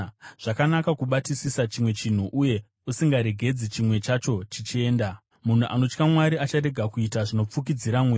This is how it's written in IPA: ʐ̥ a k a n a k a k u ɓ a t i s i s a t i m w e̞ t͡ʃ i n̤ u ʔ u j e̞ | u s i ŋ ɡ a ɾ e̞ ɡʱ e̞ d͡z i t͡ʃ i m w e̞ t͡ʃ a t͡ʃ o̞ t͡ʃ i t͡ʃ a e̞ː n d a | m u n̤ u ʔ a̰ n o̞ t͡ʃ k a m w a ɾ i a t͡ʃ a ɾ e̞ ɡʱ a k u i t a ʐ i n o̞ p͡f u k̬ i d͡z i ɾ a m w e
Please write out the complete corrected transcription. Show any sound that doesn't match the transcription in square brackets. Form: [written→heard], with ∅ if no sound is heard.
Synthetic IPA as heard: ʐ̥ a k a n a k a k u ɓ a t i s i s a [t→t͡ʃ] i m w e̞ t͡ʃ i n̤ u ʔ u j e̞ | u s i ŋ ɡ a ɾ e̞ ɡʱ e̞ d͡z i t͡ʃ i m w e̞ t͡ʃ a t͡ʃ o̞ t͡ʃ i t͡ʃ [a→i] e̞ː n d a | m u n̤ u ʔ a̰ n o̞ t͡ʃ k a m w a ɾ i a t͡ʃ a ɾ e̞ ɡʱ a k u i t a ʐ i n o̞ p͡f u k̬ i d͡z i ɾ a m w e

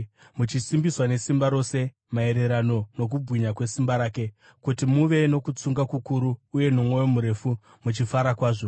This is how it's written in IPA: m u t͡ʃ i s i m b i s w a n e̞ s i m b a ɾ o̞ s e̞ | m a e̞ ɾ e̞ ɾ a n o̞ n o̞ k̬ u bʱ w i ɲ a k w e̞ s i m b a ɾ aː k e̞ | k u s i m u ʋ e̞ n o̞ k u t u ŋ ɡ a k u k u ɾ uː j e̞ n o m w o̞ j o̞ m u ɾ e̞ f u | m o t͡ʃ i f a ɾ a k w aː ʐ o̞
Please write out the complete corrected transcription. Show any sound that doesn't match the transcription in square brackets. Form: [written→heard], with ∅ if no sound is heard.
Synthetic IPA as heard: m u t͡ʃ i s i m b i s w a n e̞ s i m b a ɾ o̞ s e̞ | m a e̞ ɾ e̞ ɾ a n o̞ n o̞ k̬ u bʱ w i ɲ a k w e̞ s i m b a ɾ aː k e̞ | k u [s→t] i m u ʋ e̞ n o̞ k u [t→t͡s] u ŋ ɡ a k u k u ɾ uː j e̞ n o m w o̞ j o̞ m u ɾ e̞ f u | m [o→u] t͡ʃ i f a ɾ a k w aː ʐ o̞

